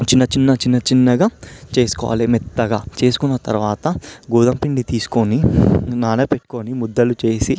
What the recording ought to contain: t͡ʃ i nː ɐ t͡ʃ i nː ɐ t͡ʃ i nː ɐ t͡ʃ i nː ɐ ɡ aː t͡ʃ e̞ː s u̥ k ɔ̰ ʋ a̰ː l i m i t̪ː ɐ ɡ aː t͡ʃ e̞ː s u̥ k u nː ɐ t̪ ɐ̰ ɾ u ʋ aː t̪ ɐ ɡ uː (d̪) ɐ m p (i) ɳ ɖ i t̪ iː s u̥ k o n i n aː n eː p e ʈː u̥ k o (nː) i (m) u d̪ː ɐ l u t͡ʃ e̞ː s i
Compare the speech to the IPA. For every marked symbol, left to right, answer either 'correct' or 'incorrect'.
correct, correct, incorrect: n, correct

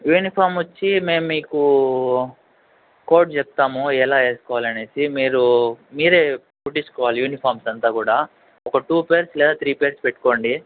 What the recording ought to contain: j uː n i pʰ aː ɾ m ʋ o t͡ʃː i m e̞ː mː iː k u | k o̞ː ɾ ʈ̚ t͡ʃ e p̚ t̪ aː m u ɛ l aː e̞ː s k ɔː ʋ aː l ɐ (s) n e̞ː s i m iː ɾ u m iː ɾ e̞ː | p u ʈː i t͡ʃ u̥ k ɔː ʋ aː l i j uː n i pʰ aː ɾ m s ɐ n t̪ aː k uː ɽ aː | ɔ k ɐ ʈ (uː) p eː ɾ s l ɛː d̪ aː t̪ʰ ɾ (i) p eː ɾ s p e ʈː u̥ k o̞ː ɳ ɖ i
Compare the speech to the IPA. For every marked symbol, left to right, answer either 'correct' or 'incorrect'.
incorrect: none, correct, incorrect: iː

